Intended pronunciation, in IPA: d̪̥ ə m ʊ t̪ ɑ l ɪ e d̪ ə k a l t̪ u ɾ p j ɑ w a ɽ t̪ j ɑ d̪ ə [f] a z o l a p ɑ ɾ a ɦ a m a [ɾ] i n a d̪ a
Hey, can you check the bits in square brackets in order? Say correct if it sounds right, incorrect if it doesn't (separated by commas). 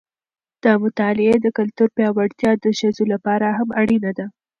incorrect, incorrect